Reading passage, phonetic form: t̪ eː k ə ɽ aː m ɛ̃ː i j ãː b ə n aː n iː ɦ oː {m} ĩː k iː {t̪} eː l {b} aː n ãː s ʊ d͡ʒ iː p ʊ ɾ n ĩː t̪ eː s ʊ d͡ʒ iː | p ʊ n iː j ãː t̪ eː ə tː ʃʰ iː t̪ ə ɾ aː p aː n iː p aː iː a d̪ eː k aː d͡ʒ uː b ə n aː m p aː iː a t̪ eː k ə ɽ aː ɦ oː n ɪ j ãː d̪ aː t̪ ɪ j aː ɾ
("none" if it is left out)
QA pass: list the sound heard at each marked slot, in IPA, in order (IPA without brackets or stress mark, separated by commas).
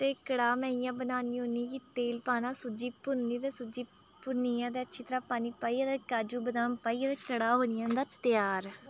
n, t̪, p